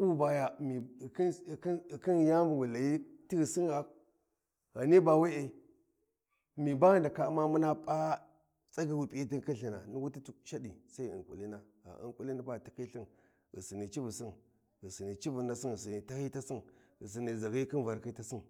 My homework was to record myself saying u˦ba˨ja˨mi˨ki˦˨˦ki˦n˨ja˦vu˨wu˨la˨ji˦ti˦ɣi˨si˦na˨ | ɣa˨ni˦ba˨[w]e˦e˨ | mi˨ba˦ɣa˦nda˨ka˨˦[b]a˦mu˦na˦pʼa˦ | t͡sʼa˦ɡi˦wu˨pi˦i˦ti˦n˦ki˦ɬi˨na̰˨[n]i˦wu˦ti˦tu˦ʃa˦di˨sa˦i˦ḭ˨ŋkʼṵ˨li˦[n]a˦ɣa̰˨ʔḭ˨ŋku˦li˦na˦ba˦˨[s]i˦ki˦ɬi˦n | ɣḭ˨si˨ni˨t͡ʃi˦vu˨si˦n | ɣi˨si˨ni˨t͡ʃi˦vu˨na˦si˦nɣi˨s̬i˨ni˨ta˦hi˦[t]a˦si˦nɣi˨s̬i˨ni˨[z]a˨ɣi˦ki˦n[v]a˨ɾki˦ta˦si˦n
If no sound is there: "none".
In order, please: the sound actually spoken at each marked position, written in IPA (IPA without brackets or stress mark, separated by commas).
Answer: w, m, n, n, t, t, z, v